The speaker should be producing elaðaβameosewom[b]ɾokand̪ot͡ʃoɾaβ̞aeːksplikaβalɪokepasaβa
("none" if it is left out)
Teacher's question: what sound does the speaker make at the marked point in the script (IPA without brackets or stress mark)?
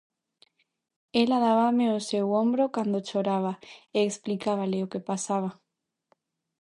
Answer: b